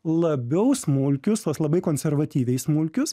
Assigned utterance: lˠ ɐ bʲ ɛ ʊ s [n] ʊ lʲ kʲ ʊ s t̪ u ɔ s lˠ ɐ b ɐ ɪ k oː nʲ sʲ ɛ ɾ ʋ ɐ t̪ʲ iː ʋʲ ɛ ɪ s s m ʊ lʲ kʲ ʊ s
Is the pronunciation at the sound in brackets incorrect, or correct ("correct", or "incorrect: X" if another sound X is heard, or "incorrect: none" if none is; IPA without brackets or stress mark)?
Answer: incorrect: m